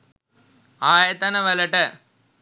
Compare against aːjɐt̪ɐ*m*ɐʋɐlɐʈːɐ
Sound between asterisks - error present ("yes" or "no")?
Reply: yes